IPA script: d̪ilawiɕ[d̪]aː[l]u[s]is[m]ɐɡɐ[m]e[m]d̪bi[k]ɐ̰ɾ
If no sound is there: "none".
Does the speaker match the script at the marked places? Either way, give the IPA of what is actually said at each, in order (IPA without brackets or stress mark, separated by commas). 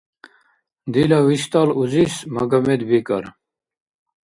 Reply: t̪, l, z, m, m, none, k